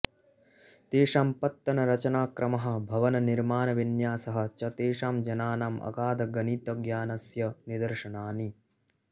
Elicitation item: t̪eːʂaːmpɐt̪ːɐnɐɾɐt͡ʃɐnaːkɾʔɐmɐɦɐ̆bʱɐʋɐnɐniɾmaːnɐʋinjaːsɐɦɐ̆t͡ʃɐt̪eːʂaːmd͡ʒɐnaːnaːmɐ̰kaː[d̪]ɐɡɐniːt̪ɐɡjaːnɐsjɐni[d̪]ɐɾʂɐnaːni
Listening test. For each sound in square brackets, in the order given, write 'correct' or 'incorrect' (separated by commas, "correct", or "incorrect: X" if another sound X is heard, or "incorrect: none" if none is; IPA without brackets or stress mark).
correct, correct